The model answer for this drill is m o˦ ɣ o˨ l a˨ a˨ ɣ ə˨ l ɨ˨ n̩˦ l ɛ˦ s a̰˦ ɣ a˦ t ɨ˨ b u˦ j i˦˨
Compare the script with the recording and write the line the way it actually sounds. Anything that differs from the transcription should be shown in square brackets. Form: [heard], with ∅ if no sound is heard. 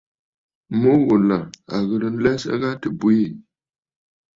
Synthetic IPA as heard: m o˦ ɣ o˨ l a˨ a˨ ɣ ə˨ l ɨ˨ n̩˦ l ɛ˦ s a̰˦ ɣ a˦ t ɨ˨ b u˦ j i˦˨